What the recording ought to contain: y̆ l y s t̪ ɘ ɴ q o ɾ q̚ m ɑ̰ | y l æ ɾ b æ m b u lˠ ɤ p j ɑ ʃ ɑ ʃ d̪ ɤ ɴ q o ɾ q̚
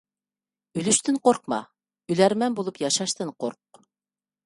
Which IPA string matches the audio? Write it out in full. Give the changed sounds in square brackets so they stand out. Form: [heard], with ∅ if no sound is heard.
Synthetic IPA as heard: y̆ l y [ʃ] t̪ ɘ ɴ q o ɾ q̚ m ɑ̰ | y l æ ɾ [m] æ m b u lˠ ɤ p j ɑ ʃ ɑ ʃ [t̪] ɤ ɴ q o ɾ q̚